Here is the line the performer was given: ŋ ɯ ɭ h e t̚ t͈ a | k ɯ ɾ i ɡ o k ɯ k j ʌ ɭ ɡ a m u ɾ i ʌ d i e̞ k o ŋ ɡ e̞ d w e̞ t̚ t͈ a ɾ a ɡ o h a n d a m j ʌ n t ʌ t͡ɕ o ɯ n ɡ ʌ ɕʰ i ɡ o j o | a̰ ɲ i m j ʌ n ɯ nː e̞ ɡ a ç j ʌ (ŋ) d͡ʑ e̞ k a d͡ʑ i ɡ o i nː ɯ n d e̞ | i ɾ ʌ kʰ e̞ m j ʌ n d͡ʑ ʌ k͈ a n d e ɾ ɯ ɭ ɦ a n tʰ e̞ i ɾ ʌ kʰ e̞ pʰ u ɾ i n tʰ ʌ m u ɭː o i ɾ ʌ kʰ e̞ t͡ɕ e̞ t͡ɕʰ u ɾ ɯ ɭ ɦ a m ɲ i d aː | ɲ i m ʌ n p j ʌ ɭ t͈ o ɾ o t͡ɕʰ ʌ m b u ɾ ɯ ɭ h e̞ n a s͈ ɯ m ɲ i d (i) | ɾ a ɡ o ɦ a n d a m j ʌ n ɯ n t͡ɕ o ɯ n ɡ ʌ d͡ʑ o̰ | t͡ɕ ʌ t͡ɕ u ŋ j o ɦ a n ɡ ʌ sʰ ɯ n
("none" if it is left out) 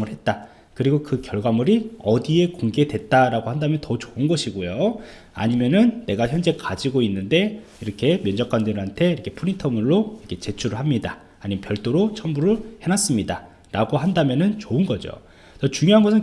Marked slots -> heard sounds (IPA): n, a

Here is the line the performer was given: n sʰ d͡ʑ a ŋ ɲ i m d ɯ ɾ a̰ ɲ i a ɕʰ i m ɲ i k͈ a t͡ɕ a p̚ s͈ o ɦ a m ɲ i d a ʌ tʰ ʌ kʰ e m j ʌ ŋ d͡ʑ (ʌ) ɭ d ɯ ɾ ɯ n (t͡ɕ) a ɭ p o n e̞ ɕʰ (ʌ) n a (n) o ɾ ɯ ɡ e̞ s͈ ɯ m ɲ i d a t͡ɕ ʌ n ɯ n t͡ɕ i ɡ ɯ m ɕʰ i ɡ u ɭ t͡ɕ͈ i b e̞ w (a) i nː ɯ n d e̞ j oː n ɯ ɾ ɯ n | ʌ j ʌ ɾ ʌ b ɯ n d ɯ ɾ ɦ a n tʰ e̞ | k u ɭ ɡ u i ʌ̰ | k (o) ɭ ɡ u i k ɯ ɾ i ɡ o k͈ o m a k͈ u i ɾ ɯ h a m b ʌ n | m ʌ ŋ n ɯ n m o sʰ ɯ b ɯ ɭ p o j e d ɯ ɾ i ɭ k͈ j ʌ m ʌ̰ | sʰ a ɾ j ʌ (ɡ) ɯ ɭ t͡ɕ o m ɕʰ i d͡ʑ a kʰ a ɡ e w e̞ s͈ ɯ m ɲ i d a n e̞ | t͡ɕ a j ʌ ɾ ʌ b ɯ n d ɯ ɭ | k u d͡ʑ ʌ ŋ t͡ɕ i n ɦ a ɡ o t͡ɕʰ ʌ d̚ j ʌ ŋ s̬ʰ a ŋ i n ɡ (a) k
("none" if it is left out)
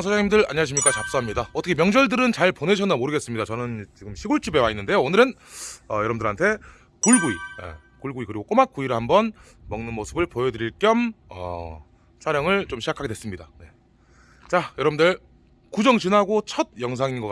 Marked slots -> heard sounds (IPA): ʌ, t͡ɕ, ʌ, m, a, u, ŋ, ʌ

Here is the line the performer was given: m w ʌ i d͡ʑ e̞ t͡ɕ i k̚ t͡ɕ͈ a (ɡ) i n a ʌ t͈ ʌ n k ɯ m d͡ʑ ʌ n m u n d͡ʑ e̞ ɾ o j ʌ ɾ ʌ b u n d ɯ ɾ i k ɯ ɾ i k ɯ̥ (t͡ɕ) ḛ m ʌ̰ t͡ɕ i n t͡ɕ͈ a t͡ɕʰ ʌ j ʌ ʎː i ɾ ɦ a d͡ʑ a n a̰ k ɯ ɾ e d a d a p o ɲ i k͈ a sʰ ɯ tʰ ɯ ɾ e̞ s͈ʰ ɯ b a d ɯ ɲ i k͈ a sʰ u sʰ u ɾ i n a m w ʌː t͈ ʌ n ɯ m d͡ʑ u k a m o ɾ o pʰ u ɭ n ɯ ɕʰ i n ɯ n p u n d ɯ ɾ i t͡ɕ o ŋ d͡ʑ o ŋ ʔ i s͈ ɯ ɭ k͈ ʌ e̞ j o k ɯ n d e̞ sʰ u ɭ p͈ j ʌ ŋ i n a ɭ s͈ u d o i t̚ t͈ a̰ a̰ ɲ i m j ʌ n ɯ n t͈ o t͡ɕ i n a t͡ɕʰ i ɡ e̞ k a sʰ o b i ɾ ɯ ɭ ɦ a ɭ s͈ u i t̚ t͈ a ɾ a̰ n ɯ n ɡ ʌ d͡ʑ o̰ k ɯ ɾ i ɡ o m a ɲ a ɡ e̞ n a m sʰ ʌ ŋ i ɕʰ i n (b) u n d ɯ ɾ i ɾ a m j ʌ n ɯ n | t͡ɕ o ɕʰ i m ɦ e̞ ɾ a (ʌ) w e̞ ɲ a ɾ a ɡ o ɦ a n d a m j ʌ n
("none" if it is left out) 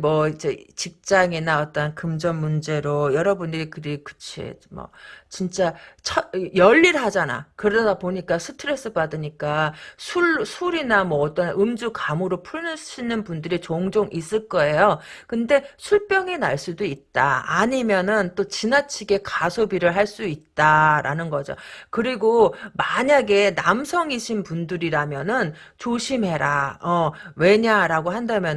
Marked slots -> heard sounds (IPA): ŋ, t͡ɕʰ, p, ʌ

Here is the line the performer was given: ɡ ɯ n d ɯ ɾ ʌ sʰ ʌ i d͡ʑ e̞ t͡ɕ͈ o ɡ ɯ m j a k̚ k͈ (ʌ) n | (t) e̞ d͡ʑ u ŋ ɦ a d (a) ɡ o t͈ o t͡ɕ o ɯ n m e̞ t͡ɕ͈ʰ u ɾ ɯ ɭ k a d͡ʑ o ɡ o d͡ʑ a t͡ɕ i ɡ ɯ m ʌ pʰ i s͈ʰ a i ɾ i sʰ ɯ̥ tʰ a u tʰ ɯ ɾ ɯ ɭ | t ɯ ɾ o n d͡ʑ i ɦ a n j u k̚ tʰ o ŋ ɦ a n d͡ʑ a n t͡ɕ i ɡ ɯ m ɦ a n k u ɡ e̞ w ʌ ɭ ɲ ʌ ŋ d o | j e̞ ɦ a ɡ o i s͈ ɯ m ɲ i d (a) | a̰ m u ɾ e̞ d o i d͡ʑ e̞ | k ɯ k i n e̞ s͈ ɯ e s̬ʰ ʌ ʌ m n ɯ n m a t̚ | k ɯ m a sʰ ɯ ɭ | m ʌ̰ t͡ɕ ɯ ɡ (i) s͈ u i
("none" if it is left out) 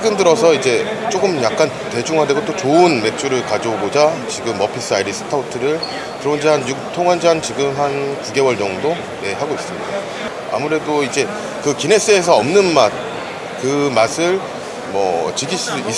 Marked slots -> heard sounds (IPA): a, t, e, a, i

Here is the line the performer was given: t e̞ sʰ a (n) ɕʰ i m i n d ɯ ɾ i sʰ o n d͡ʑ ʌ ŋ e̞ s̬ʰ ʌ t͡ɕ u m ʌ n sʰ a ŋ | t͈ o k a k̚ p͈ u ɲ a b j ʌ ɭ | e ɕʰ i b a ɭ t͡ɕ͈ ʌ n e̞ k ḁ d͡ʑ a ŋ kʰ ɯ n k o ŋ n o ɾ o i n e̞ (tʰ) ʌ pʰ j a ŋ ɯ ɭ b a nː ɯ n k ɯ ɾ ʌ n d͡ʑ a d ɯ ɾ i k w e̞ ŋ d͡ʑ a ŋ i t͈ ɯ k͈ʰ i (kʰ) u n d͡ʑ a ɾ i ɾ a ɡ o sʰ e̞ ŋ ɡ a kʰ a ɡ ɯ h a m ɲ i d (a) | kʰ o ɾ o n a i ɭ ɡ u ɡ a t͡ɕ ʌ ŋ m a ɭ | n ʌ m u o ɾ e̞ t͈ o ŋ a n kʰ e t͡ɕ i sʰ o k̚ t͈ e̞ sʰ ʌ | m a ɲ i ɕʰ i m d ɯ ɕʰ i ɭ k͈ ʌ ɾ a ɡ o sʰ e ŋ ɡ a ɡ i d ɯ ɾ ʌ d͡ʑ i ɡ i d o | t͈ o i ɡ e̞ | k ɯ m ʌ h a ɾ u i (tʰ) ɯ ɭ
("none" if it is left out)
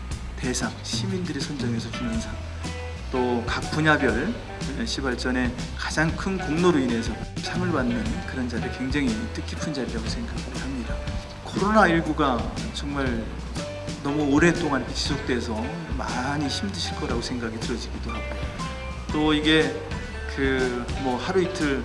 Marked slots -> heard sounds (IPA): ŋ, sʰ, pʰ, a, tʰ

